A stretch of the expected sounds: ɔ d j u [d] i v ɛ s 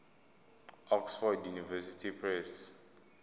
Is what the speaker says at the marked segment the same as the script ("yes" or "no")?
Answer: no